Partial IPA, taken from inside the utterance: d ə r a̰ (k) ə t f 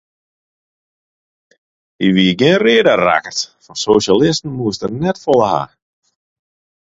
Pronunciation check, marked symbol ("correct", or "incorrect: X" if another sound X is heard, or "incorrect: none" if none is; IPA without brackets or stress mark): correct